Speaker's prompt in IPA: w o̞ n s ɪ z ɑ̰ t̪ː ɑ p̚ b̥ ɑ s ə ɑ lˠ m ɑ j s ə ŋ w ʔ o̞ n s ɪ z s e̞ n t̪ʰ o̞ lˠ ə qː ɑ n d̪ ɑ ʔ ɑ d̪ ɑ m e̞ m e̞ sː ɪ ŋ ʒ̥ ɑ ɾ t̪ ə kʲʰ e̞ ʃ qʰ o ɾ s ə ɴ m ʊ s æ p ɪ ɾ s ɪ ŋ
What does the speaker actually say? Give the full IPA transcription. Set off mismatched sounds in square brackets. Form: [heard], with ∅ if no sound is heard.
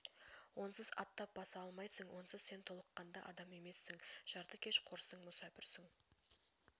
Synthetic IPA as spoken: w o̞ n s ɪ z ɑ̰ t̪ː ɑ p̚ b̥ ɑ s [ɑ] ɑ lˠ m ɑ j s ə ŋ w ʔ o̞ n s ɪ z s e̞ n t̪ʰ o̞ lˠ ə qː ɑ n d̪ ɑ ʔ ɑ d̪ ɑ m e̞ m e̞ sː ɪ ŋ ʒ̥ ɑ ɾ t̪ ə kʲʰ e̞ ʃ qʰ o ɾ s ə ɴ m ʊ s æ p ɪ ɾ s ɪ ŋ

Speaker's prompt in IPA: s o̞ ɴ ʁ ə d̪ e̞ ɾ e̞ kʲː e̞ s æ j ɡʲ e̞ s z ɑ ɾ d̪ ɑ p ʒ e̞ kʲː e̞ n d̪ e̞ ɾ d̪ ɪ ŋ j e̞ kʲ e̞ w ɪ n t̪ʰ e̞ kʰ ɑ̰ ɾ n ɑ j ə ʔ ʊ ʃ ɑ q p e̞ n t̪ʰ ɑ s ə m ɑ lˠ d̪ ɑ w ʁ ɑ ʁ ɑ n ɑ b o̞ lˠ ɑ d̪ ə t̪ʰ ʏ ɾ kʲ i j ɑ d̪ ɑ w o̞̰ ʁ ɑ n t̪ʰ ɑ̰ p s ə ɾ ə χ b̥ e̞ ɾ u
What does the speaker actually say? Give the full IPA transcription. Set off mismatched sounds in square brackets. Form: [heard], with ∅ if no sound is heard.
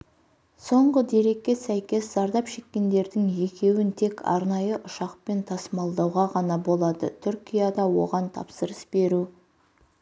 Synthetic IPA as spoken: s o̞ ɴ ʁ ə d̪ e̞ ɾ e̞ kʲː e̞ s æ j [kʲ] e̞ s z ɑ ɾ d̪ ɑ p [ʃ] e̞ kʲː e̞ n d̪ e̞ ɾ d̪ ɪ ŋ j e̞ kʲ e̞ w ɪ n t̪ʰ e̞ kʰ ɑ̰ ɾ n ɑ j ə ʔ ʊ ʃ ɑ q p e̞ n t̪ʰ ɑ s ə m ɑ lˠ d̪ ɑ w ʁ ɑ ʁ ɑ n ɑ b o̞ lˠ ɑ d̪ ə t̪ʰ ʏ ɾ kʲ i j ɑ d̪ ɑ w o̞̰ ʁ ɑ n t̪ʰ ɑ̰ p s ə ɾ ə [s] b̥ e̞ ɾ u

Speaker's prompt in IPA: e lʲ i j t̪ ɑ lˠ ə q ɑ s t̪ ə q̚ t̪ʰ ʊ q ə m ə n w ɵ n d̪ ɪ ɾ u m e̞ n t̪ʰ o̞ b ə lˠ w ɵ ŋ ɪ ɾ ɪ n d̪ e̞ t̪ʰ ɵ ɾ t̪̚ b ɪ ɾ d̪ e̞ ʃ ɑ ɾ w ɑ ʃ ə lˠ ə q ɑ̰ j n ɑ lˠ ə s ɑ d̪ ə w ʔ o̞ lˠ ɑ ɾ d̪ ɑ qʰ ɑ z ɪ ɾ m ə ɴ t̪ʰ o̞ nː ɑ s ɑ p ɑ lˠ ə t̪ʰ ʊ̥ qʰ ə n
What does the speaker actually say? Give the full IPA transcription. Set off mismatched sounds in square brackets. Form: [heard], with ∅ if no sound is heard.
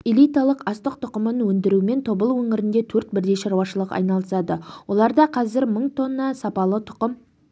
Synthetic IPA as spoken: e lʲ i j t̪ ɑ lˠ ə q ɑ s t̪ ə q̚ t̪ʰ ʊ q ə m ə n w ɵ n d̪ ɪ ɾ u m e̞ n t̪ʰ o̞ b ə lˠ w ɵ ŋ ɪ ɾ ɪ n d̪ e̞ t̪ʰ ɵ ɾ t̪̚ b ɪ ɾ d̪ e̞ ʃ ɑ ɾ w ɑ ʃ ə lˠ ə q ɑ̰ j n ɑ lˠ ə s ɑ d̪ ə w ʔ o̞ lˠ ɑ ɾ d̪ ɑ qʰ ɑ z ɪ ɾ m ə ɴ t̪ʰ o̞ nː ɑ s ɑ p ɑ lˠ ə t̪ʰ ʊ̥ [q] ə [m]

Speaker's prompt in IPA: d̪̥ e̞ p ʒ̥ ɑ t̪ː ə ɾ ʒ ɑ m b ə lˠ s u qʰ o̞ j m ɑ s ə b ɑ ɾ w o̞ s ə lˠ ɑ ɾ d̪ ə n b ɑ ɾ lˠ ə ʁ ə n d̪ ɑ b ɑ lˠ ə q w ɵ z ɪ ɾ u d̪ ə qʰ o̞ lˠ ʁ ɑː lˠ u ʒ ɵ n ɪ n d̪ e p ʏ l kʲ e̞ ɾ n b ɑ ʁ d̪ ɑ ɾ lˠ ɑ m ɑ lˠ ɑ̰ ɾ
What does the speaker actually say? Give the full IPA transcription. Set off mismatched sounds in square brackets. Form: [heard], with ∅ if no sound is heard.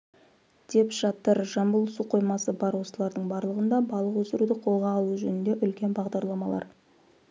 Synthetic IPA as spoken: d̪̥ e̞ p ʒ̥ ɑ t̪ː ə ɾ ʒ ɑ m b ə lˠ s u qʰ o̞ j m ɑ s ə b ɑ ɾ w o̞ s ə lˠ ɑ ɾ d̪ ə [ɴ] b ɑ ɾ lˠ ə ʁ ə n d̪ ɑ b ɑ lˠ ə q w ɵ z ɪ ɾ u d̪ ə qʰ o̞ lˠ ʁ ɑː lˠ u ʒ ɵ n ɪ n d̪ e [ʔ] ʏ l kʲ e̞ [∅] n b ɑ ʁ d̪ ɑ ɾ lˠ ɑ m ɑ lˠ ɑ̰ ɾ

